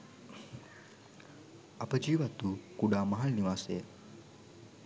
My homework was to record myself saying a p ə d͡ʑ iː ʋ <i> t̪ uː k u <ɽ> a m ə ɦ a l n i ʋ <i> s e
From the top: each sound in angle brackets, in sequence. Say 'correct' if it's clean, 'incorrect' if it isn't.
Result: incorrect: a, correct, incorrect: a

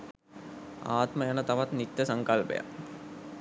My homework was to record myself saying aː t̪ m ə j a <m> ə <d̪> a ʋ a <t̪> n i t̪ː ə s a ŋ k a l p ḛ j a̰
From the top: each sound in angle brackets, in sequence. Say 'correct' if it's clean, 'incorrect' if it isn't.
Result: incorrect: n, incorrect: t̪, correct

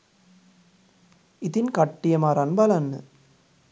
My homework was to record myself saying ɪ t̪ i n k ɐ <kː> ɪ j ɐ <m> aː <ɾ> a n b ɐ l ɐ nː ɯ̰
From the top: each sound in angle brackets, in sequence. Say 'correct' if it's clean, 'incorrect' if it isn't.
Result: incorrect: ʈː, correct, correct

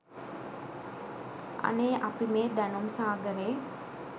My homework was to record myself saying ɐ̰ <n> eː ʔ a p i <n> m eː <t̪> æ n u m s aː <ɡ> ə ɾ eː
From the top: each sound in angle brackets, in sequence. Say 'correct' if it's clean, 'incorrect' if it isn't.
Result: correct, incorrect: none, incorrect: d̪, correct

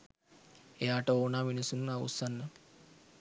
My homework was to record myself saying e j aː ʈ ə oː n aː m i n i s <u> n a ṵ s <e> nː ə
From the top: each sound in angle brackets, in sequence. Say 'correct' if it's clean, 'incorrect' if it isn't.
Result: correct, incorrect: a

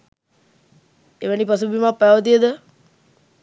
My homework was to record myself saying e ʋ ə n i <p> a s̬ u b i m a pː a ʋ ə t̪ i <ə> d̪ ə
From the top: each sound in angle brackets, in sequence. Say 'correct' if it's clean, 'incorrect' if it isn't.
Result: correct, correct

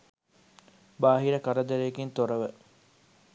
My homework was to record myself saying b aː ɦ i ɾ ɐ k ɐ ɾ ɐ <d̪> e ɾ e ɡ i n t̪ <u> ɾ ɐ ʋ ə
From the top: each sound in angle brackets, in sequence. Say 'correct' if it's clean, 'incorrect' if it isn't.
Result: correct, incorrect: o

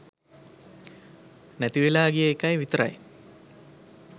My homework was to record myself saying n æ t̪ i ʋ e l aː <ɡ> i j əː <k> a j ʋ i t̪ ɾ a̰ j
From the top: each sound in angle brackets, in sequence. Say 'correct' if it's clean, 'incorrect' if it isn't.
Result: correct, correct

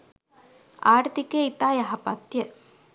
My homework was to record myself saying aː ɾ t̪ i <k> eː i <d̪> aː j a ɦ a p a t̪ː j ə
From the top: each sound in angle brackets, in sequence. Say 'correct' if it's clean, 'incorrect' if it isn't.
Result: correct, incorrect: t̪

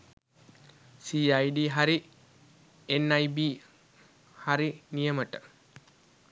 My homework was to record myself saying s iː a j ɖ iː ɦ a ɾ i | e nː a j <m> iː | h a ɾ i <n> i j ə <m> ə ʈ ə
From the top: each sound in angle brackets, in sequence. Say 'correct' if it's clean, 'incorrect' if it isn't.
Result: incorrect: b, correct, correct

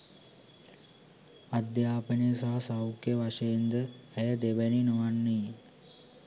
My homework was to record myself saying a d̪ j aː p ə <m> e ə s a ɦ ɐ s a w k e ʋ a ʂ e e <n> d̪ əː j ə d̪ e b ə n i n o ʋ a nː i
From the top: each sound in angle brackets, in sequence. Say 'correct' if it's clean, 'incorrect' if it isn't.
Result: incorrect: n, correct

